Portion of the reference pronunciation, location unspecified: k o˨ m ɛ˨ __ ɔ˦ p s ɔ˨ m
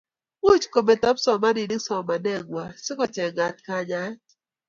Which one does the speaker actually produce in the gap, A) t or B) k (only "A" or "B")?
A